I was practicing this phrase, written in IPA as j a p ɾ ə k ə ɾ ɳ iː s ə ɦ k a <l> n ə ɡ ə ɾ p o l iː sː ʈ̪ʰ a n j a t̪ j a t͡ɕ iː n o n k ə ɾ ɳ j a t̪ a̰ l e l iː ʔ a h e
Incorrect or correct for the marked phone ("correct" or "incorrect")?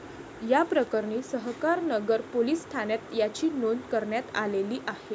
incorrect